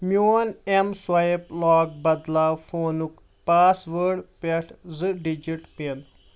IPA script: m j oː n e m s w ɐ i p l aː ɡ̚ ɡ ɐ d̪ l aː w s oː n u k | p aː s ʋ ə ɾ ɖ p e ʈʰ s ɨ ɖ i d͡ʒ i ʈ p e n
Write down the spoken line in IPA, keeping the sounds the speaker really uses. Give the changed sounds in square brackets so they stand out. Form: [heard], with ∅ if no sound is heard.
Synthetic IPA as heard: m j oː n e m s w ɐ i p l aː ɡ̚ [b] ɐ d̪ l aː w [f] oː n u k | p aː s ʋ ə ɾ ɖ p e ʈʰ [z] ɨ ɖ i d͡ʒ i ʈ p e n

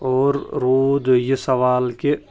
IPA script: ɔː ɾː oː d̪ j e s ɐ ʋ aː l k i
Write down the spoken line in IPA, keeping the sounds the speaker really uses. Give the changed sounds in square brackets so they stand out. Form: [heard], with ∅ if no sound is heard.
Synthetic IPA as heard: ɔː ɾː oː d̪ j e s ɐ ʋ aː l k [e]

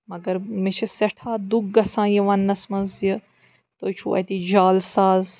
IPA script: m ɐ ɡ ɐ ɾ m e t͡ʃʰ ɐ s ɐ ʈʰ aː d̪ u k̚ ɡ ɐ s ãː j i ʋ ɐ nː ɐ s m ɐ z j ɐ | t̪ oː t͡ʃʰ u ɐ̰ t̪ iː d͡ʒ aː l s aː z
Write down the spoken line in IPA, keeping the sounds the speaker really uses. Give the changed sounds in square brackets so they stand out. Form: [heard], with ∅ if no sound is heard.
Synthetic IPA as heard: m ɐ ɡ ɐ ɾ m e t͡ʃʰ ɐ s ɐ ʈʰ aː d̪ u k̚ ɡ ɐ s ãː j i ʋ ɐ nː ɐ s m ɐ z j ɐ | t̪ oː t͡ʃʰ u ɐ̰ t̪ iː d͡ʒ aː l s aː z

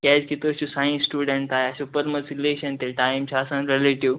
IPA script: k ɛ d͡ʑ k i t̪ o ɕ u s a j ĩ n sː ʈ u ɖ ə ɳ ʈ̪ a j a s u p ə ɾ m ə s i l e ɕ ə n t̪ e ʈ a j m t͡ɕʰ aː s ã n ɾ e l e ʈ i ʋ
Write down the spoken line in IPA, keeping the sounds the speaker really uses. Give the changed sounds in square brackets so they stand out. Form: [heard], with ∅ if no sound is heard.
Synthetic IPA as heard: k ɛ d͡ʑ k i t̪ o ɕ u s a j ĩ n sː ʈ u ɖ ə ɳ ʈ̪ a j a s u p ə ɾ m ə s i l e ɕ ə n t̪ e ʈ a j m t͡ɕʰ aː s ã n ɾ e l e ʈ i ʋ

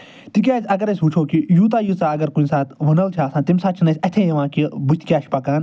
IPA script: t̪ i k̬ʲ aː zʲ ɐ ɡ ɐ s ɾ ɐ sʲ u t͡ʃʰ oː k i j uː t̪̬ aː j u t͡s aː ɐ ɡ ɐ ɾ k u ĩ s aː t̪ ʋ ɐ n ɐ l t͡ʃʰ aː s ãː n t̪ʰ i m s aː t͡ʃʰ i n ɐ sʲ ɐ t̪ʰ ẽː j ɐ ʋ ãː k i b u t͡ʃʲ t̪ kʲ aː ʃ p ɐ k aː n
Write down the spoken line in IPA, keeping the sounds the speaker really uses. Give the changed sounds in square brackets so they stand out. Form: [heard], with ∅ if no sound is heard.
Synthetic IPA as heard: t̪ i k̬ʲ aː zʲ ɐ ɡ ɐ [∅] ɾ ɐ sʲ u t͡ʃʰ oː k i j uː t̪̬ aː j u t͡s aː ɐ ɡ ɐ ɾ k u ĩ s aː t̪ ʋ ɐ n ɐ l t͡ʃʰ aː s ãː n [t̪] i m s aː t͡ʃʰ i n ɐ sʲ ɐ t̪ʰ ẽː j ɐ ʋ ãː k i b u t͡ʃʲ t̪ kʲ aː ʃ p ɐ k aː n

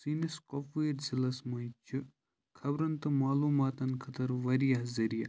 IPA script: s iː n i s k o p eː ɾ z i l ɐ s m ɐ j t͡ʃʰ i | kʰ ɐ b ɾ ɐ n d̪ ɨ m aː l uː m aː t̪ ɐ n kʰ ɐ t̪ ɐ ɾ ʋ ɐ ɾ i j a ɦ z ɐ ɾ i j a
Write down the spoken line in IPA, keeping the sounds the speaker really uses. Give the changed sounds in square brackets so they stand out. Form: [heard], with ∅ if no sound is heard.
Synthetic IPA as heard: s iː n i s k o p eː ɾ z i l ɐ s m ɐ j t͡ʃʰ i | kʰ ɐ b ɾ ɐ n [t̪] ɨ m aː l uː m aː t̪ ɐ n kʰ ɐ t̪ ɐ ɾ ʋ ɐ ɾ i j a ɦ z ɐ ɾ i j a

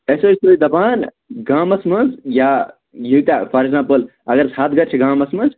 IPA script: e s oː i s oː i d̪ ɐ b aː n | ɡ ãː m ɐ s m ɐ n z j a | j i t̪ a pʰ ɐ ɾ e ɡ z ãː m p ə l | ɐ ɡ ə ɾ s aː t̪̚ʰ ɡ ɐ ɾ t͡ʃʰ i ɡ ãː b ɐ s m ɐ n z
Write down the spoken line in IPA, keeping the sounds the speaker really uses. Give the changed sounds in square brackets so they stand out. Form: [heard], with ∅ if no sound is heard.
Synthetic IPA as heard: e s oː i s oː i d̪ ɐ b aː n | ɡ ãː m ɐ s m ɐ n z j a | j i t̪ a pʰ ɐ ɾ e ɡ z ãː m p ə l | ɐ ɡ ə ɾ s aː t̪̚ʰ ɡ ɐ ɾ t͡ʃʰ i ɡ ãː [m] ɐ s m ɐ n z

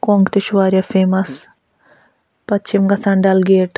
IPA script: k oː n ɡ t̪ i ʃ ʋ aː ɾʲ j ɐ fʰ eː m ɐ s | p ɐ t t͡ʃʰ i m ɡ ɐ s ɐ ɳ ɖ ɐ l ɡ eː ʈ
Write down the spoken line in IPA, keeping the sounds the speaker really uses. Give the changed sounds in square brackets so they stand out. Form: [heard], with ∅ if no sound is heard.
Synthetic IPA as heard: k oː [ŋ] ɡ t̪ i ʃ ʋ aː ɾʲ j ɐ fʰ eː m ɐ s | p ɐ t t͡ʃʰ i m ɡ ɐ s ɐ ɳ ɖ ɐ l ɡ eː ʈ

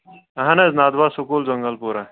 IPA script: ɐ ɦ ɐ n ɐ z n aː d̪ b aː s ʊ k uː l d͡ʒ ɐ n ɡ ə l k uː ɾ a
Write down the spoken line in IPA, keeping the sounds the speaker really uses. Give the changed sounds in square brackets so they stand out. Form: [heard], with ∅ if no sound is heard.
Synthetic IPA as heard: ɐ ɦ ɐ n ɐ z n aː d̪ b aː s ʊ k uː l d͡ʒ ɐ [ŋ] ɡ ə l [p] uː ɾ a

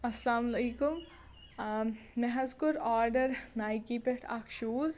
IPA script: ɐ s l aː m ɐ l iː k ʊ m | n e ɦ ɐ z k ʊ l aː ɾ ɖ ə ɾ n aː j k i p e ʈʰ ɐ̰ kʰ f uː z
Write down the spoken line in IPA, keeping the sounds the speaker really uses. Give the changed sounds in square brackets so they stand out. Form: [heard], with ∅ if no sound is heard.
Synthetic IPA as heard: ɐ s l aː m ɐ l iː k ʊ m | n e ɦ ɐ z k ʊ [ɾ] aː ɾ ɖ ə ɾ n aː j k i p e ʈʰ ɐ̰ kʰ [ʃ] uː z

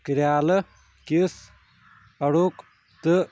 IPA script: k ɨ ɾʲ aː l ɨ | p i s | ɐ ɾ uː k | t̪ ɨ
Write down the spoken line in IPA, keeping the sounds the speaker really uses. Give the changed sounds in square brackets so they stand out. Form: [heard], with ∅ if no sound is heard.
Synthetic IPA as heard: k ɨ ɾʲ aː l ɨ | [k] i s | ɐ [ɽ] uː k | t̪ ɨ

